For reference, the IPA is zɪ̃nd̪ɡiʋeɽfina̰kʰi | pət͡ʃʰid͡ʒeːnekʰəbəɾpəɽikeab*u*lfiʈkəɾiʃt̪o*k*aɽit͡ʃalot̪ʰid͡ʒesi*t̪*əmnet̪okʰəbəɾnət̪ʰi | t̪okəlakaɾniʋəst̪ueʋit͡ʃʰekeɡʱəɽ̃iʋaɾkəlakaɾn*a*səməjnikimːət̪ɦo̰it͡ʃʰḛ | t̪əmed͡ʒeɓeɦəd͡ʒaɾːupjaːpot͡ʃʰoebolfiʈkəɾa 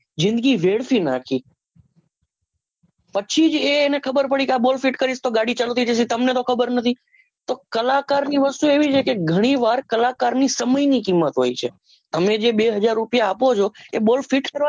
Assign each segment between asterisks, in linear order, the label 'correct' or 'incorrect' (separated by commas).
incorrect, incorrect, correct, incorrect